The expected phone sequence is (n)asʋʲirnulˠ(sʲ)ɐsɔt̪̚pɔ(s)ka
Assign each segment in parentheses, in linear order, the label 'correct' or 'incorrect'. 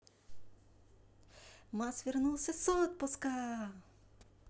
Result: incorrect, correct, correct

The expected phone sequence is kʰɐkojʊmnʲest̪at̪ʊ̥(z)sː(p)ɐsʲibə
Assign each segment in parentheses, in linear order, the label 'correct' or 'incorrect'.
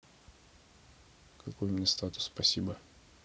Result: incorrect, correct

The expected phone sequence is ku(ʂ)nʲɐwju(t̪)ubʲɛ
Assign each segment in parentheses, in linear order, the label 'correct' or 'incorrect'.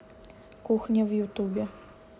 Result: incorrect, correct

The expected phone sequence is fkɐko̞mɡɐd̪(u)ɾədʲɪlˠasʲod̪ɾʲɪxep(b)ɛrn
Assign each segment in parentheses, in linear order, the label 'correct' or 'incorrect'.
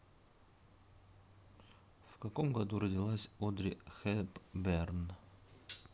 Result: correct, correct

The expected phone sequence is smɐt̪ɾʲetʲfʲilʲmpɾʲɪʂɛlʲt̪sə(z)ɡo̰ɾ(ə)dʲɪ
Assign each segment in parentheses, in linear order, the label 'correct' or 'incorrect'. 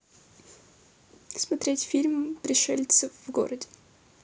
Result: incorrect, correct

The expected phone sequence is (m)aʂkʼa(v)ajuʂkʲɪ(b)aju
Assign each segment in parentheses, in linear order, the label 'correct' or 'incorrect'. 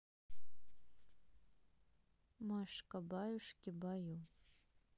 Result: correct, incorrect, correct

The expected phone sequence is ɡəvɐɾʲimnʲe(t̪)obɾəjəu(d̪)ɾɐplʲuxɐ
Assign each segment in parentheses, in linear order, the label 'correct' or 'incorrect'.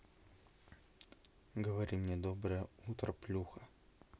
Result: incorrect, incorrect

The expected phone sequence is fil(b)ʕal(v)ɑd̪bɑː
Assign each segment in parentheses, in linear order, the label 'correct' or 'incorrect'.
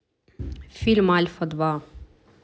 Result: incorrect, incorrect

